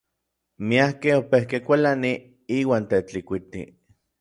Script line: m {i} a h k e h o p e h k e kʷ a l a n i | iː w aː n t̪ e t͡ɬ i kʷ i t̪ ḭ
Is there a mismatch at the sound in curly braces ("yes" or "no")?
no